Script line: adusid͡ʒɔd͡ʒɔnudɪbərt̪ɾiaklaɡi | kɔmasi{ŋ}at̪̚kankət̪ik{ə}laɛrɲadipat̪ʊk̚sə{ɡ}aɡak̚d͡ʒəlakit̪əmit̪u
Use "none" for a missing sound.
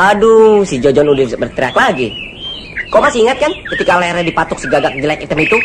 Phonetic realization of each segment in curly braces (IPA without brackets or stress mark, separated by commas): ŋ, a, ɡ